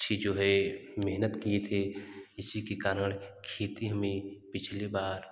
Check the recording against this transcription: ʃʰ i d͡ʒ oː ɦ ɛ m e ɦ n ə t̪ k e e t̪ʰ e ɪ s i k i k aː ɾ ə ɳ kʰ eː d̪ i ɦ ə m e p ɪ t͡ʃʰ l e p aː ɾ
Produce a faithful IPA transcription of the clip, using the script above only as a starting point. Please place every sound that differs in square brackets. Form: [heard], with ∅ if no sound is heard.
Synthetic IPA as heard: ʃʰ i d͡ʒ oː ɦ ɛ m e ɦ n ə t̪ k [i] e t̪ʰ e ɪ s i k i k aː ɾ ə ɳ kʰ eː [t̪] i ɦ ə m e p ɪ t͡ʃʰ l e [b] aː ɾ